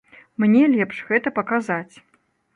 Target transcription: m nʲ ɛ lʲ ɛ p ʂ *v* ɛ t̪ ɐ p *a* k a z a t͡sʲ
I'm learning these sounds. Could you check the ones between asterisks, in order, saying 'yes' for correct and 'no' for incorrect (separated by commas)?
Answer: no, no